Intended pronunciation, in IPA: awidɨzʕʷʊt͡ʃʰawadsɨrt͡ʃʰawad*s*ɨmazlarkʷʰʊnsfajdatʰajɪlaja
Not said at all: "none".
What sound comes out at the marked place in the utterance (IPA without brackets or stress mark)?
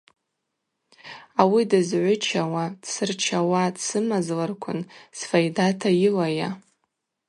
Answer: s